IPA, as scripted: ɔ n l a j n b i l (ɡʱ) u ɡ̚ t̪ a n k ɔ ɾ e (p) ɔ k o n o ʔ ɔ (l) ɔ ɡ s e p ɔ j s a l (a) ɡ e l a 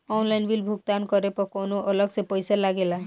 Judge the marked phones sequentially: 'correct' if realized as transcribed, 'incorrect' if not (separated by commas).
incorrect, correct, correct, correct